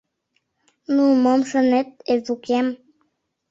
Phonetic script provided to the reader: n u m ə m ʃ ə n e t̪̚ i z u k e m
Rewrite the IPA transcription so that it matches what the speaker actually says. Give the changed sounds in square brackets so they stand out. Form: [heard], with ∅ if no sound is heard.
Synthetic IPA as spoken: n u m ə m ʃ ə n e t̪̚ [e] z u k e m